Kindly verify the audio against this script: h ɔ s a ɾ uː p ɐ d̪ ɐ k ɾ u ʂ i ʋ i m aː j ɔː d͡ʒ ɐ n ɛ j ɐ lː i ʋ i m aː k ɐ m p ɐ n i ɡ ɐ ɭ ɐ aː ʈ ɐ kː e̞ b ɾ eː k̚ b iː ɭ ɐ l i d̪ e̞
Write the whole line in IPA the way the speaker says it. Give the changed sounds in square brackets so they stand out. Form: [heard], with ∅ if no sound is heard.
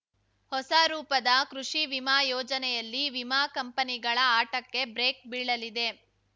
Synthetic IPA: h ɔ s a ɾ uː p ɐ d̪ ɐ k ɾ u ʂ i ʋ i m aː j ɔː d͡ʒ ɐ n ɛ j ɐ lː i ʋ i m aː k ɐ m p ɐ n i ɡ ɐ ɭ ɐ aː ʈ ɐ kː e̞ b ɾ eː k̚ b iː ɭ ɐ l i d̪ e̞